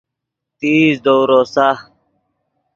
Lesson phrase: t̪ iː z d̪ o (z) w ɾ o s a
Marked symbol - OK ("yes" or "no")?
no